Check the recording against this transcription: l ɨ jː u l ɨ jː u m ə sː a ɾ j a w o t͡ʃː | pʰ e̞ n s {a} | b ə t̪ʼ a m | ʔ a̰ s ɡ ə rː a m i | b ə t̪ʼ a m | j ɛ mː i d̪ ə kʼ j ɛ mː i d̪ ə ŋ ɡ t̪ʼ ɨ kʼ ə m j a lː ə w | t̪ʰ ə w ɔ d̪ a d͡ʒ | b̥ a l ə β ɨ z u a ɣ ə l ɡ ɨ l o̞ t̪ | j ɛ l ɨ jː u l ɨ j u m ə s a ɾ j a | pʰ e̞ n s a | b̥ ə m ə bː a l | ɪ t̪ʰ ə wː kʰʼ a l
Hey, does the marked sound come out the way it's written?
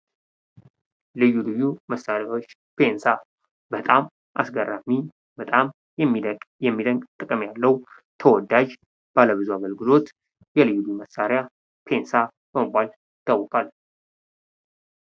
yes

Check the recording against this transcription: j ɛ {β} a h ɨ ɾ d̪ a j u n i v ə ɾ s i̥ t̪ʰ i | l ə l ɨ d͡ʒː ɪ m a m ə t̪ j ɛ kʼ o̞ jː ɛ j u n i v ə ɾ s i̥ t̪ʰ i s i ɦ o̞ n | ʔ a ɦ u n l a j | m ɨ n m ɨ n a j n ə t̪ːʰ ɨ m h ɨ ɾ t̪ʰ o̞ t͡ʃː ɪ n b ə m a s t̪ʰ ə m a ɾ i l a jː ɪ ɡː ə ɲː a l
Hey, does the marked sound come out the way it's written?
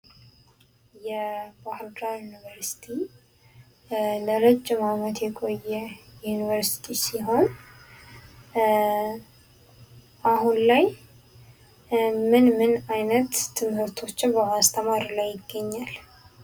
no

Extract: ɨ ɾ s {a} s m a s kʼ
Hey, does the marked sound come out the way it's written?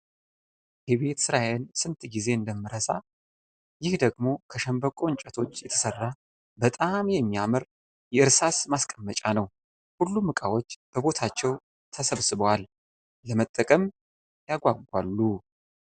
yes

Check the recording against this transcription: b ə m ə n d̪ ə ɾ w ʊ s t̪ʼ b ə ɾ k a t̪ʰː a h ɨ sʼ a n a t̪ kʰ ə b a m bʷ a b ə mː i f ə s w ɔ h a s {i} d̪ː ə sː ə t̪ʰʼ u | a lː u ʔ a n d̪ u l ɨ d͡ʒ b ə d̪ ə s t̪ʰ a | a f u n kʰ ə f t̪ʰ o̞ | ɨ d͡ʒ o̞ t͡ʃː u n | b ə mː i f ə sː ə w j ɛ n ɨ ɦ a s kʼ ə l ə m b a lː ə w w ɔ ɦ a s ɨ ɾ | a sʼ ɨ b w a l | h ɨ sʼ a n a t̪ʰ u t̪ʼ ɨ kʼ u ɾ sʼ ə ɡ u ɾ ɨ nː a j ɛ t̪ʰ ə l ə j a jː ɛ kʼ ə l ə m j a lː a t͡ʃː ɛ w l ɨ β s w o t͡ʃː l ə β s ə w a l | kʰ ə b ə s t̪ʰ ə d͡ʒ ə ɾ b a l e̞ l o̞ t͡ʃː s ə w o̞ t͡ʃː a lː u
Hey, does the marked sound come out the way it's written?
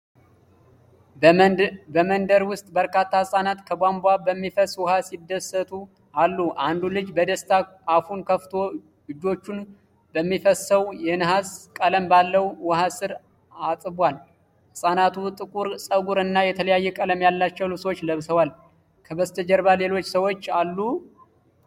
yes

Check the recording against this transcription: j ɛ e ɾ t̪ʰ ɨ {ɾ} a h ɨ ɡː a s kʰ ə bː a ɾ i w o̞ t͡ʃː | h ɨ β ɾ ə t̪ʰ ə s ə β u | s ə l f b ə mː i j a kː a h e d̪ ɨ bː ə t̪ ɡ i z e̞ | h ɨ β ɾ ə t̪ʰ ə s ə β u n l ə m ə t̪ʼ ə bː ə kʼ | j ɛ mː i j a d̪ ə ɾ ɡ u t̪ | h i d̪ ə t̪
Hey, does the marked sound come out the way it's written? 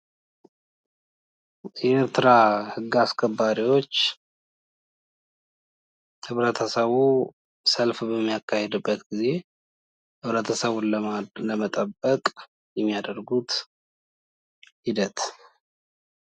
yes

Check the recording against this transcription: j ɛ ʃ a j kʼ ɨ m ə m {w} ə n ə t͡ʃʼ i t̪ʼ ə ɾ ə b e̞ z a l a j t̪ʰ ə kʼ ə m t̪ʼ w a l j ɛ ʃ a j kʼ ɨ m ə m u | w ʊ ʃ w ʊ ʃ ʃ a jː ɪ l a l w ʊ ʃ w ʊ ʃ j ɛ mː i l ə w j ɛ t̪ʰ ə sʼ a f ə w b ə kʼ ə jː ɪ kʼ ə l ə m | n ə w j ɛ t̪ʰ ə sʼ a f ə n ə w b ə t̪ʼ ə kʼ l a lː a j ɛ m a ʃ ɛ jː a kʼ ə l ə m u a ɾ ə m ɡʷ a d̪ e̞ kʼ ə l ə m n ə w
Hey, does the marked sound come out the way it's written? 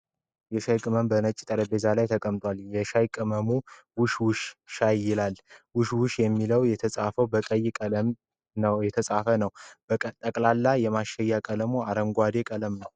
no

